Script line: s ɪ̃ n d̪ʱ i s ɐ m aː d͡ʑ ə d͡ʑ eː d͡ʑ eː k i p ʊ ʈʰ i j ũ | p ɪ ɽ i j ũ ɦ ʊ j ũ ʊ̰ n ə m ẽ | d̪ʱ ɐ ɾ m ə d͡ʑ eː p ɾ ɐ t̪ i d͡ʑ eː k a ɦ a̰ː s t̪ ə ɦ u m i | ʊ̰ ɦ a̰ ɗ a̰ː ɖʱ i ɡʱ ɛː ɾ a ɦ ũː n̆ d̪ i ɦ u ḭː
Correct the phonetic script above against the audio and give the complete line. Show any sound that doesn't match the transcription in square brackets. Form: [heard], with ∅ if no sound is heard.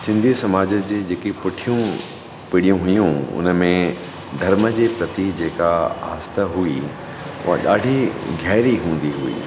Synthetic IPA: s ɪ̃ n d̪ʱ i s ɐ m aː d͡ʑ ə d͡ʑ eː d͡ʑ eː k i p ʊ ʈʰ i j ũ | p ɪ ɽ i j ũ ɦ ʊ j ũ ʊ̰ n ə m ẽ | d̪ʱ ɐ ɾ m ə d͡ʑ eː p ɾ ɐ t̪ i d͡ʑ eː k a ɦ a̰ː s t̪ ə ɦ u [∅] i | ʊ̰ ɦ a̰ ɗ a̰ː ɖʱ i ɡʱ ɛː ɾ [i] ɦ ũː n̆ d̪ i ɦ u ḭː

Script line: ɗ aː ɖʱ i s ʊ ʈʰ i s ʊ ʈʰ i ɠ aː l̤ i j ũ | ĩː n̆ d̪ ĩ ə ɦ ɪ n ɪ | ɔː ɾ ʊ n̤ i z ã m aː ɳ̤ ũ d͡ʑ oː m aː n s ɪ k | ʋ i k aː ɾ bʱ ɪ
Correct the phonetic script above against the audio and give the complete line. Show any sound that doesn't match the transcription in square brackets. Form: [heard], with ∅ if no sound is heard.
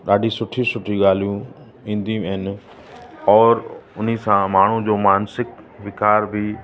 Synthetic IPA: ɗ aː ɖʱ i s ʊ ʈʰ i s ʊ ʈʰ i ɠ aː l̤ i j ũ | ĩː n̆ d̪ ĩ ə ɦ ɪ n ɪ | ɔː ɾ ʊ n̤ i [s] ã m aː ɳ̤ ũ d͡ʑ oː m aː n s ɪ k | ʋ [ɪ] k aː ɾ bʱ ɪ

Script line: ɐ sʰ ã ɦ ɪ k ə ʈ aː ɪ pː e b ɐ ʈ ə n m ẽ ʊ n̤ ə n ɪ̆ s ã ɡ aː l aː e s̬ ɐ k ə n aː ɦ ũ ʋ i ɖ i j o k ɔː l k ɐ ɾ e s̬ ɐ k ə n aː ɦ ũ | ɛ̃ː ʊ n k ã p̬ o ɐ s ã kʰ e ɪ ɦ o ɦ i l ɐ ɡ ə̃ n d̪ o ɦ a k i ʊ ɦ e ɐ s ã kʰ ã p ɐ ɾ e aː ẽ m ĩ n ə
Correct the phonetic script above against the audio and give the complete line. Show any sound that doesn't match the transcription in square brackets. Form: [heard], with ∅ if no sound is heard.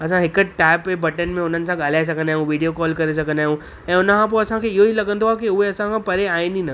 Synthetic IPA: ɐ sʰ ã ɦ ɪ k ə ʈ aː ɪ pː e b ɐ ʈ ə n m ẽ ʊ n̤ ə n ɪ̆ s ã ɡ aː l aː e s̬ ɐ k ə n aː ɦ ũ ʋ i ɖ i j o k ɔː l k ɐ ɾ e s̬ ɐ k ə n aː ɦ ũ | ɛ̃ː ʊ n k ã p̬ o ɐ s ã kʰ e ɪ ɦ o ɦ i l ɐ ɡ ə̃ n d̪ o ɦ a k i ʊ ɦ e ɐ s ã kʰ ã p ɐ ɾ e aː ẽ [n] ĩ n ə

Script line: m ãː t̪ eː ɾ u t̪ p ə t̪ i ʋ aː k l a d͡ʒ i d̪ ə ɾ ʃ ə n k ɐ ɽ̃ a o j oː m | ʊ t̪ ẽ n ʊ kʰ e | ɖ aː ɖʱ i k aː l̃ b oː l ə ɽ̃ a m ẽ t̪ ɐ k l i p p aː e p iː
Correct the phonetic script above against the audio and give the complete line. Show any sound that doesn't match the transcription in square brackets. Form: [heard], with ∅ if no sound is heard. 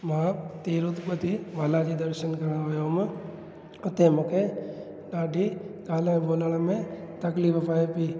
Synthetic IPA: m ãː t̪ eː ɾ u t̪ p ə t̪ i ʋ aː [∅] l a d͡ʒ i d̪ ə ɾ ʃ ə n k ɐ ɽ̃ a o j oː m | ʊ t̪ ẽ [m] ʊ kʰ e | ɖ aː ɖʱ i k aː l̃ b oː l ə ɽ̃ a m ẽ t̪ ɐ k l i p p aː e p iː

